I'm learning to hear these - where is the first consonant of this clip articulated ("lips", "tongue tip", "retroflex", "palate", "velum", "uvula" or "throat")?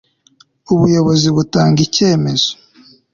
lips